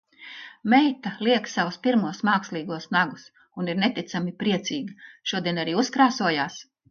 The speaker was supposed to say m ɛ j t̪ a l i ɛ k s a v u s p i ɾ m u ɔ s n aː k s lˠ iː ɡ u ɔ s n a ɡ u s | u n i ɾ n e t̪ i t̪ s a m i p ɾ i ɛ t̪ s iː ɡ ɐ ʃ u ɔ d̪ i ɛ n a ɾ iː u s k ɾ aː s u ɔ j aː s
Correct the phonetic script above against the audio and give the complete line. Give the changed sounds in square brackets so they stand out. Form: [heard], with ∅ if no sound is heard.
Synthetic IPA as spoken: m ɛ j t̪ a l i ɛ k s a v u s p i ɾ m u ɔ s [m] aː k s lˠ iː ɡ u ɔ s n a ɡ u s | u n i ɾ n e t̪ i t̪ s a m i p ɾ i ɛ t̪ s iː ɡ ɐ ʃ u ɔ d̪ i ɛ n a ɾ iː u s k ɾ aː s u ɔ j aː s